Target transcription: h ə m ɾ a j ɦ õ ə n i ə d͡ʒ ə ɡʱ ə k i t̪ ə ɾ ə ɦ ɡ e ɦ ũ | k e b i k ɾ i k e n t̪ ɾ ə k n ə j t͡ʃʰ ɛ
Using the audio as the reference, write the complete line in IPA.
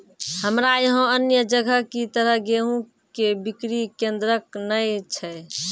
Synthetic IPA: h ə m ɾ a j ɦ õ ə n j ə d͡ʒ ə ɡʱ ə k i t̪ ə ɾ ə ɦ ɡ e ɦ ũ | k e b i k ɾ i k e n d̪ ɾ ə k n ə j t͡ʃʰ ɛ